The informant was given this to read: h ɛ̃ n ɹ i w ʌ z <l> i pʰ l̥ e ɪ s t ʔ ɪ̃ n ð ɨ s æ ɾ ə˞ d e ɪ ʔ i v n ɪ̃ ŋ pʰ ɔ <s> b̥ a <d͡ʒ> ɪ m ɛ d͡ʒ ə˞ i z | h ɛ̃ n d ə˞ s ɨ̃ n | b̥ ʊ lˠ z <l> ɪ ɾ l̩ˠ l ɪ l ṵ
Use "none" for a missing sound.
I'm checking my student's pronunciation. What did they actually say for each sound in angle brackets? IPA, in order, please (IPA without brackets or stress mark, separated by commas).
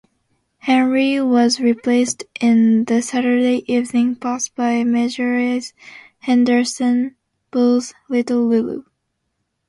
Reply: ɹ, s, none, l